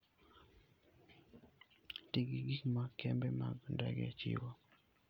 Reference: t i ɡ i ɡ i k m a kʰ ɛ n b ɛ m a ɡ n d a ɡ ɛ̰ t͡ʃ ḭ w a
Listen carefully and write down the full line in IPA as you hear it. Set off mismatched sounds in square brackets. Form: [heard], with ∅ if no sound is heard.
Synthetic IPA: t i ɡ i ɡ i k m a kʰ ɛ [m] b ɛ m a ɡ n d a ɡ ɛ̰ t͡ʃ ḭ w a